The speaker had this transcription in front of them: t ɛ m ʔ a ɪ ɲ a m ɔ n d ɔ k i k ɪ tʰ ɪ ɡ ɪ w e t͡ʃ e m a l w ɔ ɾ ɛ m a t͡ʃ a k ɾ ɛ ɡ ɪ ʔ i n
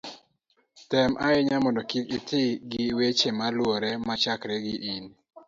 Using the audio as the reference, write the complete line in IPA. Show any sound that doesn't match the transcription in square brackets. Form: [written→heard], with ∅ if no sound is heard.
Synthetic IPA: t ɛ m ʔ a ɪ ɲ a m ɔ n d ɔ k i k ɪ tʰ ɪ ɡ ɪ w e t͡ʃ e m a l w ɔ ɾ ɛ m a t͡ʃ a k ɾ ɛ ɡ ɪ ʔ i n